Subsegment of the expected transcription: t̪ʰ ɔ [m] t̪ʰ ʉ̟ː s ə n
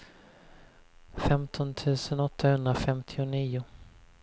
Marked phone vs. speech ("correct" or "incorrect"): incorrect